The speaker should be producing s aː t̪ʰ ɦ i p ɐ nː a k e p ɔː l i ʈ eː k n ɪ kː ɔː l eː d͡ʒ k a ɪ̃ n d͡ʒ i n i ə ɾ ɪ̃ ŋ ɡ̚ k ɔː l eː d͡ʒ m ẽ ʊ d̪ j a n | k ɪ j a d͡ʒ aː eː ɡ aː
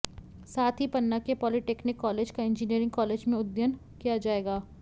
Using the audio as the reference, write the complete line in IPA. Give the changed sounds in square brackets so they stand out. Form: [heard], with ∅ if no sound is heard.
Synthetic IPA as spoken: s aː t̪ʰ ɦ i p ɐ nː a k e p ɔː l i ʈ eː k n ɪ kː ɔː l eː d͡ʒ k a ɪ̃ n d͡ʒ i n i ə ɾ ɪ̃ ŋ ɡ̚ k ɔː l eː d͡ʒ m ẽ ʊ d̪ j [ə] n | k [i] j a d͡ʒ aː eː ɡ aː